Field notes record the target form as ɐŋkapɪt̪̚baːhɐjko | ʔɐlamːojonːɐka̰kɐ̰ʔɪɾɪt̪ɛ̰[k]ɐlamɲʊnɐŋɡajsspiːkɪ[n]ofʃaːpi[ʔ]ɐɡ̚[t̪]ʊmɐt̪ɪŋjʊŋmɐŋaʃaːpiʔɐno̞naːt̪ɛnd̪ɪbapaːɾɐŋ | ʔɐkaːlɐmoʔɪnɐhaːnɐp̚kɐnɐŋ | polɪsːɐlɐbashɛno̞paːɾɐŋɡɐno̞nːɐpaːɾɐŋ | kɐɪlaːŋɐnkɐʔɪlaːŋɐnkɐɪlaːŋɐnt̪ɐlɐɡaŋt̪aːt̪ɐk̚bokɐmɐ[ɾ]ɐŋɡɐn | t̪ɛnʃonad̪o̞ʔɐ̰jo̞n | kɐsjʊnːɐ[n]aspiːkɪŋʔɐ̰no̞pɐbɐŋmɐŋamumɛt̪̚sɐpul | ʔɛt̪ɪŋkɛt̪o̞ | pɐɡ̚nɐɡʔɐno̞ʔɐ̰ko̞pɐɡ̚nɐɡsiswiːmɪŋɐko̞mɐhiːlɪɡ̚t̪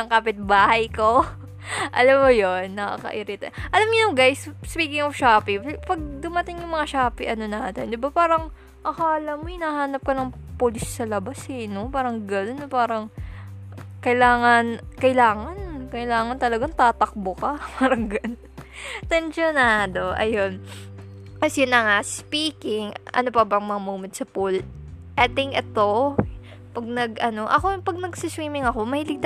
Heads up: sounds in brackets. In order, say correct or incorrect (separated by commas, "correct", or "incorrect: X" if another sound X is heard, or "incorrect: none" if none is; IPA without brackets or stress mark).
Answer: incorrect: ʔ, incorrect: ŋ, incorrect: p, incorrect: d̪, correct, incorrect: ŋ